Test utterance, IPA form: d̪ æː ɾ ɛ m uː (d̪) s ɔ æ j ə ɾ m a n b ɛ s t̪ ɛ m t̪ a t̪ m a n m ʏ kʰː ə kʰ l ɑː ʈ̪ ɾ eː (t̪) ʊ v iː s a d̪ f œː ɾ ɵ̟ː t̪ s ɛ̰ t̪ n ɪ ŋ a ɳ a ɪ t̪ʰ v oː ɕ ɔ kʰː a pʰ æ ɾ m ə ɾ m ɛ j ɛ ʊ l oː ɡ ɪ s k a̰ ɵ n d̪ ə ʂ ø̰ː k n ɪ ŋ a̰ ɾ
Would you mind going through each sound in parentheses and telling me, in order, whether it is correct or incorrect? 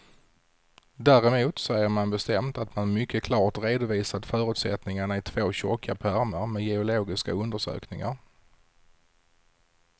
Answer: incorrect: t̪, incorrect: d̪

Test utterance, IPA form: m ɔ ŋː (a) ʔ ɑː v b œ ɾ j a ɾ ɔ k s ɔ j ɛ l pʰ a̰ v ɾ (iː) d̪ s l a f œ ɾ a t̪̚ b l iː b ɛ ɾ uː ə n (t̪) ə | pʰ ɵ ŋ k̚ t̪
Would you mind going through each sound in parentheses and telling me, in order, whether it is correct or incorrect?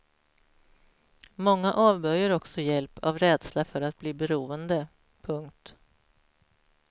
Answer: correct, incorrect: ɛː, incorrect: d̪

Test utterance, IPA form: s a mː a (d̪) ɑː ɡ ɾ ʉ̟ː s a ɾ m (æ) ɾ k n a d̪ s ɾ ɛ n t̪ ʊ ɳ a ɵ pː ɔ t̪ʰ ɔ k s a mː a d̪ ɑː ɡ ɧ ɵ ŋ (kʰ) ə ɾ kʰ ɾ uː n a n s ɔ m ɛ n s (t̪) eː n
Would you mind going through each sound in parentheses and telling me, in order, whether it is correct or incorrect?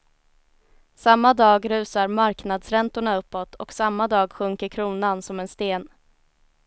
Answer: correct, incorrect: a, incorrect: k, correct

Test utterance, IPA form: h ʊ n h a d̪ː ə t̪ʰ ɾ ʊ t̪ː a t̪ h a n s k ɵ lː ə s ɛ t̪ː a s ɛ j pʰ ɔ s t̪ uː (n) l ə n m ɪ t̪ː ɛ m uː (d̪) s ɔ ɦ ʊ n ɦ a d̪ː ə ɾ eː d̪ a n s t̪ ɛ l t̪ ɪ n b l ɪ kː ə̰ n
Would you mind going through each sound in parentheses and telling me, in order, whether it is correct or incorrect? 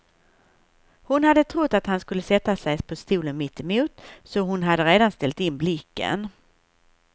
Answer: incorrect: none, incorrect: t̪

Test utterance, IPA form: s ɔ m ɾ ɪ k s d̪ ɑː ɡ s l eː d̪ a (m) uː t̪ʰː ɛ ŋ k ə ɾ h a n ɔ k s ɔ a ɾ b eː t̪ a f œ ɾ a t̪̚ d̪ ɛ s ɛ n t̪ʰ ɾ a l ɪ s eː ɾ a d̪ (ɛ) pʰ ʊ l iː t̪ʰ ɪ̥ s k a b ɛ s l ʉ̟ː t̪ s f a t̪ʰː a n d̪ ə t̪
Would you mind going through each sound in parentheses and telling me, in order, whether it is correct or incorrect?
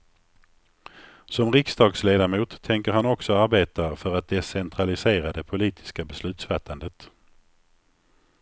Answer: correct, correct

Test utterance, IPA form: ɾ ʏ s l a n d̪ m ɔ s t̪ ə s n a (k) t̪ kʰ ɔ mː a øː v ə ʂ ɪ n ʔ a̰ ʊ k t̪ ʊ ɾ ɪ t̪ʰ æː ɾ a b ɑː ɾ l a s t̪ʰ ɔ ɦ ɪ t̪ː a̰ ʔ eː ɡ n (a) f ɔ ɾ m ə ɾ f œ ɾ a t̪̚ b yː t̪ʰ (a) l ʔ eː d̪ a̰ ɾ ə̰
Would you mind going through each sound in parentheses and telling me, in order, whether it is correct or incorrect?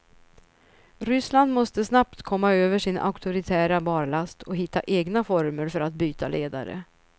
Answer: incorrect: p, correct, correct

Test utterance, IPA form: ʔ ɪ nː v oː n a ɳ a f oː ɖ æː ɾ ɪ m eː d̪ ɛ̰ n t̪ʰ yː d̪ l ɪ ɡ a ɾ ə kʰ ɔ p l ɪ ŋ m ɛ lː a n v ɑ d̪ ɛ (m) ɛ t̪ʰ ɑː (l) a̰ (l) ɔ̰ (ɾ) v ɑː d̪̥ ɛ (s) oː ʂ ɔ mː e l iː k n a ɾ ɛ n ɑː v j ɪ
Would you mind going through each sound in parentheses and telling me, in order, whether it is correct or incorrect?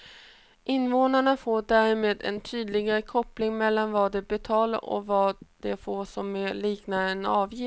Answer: incorrect: b, correct, incorrect: ɾ, incorrect: none, incorrect: f

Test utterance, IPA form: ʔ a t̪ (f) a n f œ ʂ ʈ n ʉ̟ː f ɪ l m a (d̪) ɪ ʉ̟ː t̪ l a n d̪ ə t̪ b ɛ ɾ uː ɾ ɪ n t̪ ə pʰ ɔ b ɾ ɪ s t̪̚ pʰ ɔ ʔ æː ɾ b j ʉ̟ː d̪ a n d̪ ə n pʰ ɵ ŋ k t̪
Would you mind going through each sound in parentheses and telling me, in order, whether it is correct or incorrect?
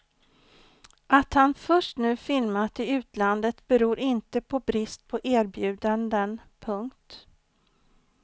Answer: incorrect: h, incorrect: t̪

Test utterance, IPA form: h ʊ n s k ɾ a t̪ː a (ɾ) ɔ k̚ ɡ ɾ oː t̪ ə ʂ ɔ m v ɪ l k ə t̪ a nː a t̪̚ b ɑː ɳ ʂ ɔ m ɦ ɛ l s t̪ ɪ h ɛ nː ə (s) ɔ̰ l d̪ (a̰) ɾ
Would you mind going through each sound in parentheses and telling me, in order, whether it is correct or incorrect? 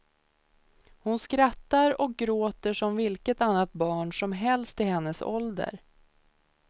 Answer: correct, correct, incorrect: ə̰

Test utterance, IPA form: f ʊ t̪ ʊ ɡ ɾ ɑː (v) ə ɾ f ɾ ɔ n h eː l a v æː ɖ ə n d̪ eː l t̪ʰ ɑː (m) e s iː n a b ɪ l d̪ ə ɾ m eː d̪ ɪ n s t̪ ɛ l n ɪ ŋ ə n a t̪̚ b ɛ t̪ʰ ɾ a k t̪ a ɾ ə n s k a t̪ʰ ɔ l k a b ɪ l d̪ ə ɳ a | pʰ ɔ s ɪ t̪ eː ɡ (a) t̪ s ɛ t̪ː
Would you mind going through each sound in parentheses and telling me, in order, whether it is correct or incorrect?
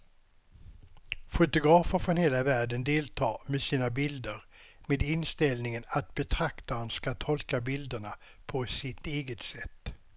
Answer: incorrect: f, correct, incorrect: ə

